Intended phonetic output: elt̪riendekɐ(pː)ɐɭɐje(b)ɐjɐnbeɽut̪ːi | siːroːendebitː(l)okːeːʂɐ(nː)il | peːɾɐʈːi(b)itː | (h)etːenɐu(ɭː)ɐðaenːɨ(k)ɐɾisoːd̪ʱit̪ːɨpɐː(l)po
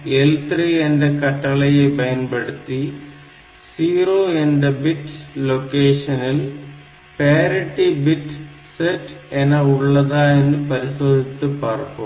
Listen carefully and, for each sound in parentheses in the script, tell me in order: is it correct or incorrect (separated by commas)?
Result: incorrect, correct, correct, incorrect, correct, incorrect, correct, incorrect, incorrect